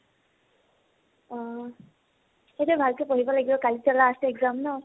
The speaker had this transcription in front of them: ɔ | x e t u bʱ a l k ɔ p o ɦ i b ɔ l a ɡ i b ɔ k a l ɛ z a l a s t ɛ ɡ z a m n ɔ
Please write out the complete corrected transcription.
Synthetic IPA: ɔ | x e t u bʱ a l k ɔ p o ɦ i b ɔ l a ɡ i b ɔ k a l i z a l a s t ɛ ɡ z a m n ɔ